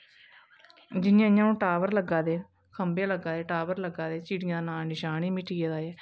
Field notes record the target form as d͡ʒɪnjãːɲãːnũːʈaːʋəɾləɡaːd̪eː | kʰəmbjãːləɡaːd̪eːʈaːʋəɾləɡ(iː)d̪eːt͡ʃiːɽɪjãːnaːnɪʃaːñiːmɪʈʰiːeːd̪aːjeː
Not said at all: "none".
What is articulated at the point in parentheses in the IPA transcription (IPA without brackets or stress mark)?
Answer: aː